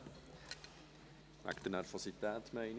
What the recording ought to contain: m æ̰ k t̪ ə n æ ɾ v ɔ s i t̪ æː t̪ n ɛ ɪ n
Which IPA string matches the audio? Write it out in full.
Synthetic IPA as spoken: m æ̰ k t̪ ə n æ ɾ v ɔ s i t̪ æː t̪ m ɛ ɪ n